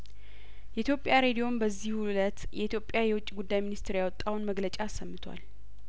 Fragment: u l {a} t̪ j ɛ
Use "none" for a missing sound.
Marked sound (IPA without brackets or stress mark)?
ə